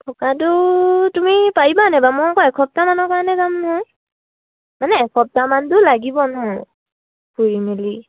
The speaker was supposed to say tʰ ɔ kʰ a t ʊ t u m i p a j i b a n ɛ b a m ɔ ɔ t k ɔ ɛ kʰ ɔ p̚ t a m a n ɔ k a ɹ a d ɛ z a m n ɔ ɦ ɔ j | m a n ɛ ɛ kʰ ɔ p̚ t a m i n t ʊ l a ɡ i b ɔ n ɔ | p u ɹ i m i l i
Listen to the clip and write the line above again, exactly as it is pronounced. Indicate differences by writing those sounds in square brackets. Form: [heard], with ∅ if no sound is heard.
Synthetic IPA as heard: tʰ ɔ [k] a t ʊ t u m i p a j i b a n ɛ b a m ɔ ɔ [∅] k ɔ ɛ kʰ ɔ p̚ t a m a n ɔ k a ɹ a [n] ɛ z a m n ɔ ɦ ɔ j | m a n ɛ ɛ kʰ ɔ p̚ t a m [a] n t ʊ l a ɡ i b ɔ n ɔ | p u ɹ i m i l i